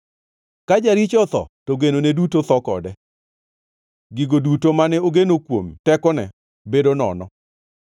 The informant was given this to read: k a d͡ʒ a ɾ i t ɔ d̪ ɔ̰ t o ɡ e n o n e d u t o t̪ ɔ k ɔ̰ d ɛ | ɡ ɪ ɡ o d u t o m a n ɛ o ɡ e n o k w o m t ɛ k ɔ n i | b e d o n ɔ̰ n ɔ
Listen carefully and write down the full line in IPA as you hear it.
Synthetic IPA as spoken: k a d͡ʒ a ɾ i t͡ʃ ɔ t̪ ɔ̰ t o ɡ e n o n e d u t o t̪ ɔ k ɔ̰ d ɛ | ɡ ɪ ɡ o d u t o m a n ɛ o ɡ e n o k w o m t ɛ k ɔ n ɛ | b e d o n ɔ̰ n ɔ